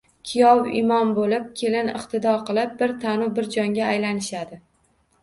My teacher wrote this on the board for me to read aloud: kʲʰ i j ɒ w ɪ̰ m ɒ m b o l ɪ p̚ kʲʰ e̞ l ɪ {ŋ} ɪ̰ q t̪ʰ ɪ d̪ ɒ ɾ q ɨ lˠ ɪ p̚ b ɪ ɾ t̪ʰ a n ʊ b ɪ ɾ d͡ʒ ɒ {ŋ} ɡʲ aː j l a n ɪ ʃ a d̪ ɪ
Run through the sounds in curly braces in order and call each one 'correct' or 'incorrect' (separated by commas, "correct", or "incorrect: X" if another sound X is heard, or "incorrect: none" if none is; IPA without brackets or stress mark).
incorrect: n, correct